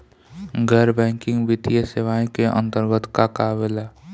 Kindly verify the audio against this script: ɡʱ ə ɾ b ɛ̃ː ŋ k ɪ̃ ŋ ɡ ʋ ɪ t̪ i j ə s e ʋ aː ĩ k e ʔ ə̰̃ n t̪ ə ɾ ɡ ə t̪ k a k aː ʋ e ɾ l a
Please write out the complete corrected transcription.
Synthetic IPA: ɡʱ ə ɾ b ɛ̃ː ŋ k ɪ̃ ŋ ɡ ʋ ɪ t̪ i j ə s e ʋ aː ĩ k e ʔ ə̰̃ n t̪ ə ɾ ɡ ə t̪ k a k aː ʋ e l a